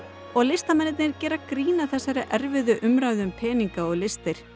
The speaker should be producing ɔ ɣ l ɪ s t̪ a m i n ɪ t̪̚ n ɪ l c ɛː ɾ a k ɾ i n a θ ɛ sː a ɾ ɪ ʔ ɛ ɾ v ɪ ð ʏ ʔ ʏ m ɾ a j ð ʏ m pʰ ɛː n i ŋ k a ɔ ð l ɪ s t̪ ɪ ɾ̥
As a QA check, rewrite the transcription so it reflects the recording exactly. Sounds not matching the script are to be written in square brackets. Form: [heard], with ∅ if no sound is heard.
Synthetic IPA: ɔ ɣ l ɪ s t̪ a m [ɛ] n ɪ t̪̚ n ɪ [ɾ] c ɛː ɾ a k ɾ [iː] n a θ ɛ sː a ɾ ɪ ʔ ɛ ɾ v ɪ ð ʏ ʔ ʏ m ɾ a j ð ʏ m pʰ ɛː n i ŋ k a ɔ [ɣ] l ɪ s t̪ ɪ ɾ̥

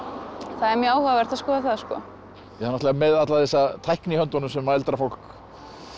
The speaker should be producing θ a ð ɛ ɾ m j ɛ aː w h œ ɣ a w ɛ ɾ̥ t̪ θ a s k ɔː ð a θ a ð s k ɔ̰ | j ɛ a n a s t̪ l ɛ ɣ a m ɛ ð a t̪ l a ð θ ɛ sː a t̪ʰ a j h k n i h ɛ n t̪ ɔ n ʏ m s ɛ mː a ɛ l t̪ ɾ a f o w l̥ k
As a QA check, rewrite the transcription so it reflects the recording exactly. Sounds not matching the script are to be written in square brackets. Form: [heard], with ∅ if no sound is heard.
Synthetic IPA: θ a ð ɛ ɾ m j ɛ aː w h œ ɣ a [v] ɛ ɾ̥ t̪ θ a s k ɔː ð a θ a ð s k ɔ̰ | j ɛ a n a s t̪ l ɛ ɣ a m ɛ ð a t̪ l a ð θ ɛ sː a t̪ʰ a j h k n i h [œ] n t̪ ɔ n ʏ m s ɛ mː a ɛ l t̪ ɾ a f o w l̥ k

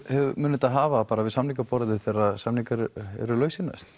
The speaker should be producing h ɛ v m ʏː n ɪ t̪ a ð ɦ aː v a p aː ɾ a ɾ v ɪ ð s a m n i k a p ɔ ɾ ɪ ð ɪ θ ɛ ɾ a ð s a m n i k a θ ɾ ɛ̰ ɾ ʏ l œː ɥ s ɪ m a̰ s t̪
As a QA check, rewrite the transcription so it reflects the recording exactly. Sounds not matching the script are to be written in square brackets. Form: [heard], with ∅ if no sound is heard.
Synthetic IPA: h ɛ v m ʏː n ɪ t̪ a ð ɦ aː v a p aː ɾ a [∅] v ɪ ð s a m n i k a p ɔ ɾ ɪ ð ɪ θ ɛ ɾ a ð s a m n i k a [∅] ɾ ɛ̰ ɾ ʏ l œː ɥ s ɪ [n] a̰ s t̪

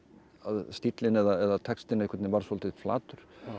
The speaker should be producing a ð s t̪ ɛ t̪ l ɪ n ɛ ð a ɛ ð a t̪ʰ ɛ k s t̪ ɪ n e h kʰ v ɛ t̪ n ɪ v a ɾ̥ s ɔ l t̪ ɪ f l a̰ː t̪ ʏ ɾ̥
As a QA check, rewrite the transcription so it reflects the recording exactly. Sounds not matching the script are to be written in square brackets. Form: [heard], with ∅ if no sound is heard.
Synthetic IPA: a ð s t̪ [i] t̪ l ɪ n ɛ ð a ɛ ð a t̪ʰ ɛ k s t̪ ɪ n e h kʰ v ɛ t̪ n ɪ v a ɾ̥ s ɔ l t̪ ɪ f l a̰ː t̪ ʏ ɾ̥

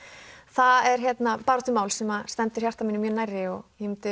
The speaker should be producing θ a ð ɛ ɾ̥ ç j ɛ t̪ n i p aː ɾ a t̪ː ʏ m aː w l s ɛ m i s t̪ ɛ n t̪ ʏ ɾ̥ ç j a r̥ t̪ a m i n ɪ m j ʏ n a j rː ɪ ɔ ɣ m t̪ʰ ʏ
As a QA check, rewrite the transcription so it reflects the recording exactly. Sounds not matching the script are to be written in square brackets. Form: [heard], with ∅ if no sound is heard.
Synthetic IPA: θ a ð ɛ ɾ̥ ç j ɛ t̪ n [a] p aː ɾ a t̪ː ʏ m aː w l s ɛ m [a] s t̪ ɛ n t̪ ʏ ɾ̥ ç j a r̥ t̪ a m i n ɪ m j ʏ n a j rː ɪ ɔ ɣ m [t̪] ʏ

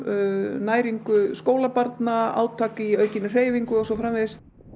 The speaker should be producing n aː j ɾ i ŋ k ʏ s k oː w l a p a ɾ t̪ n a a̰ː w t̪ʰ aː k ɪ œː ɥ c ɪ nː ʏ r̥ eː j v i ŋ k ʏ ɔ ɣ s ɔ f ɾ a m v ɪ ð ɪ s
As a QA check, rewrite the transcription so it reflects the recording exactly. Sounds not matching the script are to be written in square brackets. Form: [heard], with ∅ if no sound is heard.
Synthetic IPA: n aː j ɾ i ŋ k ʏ s k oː w l a p a ɾ t̪ n a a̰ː w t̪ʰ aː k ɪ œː ɥ c ɪ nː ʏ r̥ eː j v i ŋ k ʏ ɔ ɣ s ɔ f ɾ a m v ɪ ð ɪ s

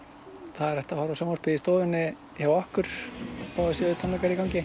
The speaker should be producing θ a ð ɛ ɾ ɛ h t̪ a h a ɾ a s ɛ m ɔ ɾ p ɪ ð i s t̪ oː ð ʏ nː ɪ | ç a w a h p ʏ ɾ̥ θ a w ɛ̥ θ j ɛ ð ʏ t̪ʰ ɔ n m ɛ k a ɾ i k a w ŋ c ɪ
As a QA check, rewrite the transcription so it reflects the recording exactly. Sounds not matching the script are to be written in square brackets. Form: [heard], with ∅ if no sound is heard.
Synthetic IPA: θ a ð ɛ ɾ ɛ h t̪ a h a ɾ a s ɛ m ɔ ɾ p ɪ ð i s t̪ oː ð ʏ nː ɪ | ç a w a h [k] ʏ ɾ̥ θ a w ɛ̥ [s] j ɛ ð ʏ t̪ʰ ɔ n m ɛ k a ɾ i k a w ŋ c ɪ

